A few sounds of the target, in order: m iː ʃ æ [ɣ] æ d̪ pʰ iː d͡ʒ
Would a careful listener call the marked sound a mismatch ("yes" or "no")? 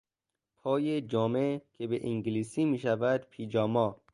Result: yes